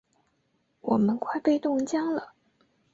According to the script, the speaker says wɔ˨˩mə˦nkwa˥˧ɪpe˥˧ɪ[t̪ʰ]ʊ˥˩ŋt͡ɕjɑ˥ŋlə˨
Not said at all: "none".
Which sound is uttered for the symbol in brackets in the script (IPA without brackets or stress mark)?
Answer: t̪